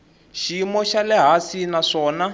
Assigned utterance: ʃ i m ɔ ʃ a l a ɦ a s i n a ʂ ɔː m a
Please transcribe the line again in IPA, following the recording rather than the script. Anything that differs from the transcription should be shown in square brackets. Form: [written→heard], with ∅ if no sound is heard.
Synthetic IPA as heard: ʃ i m ɔ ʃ a l [a→ɛ] ɦ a s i n a ʂ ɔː [m→n] a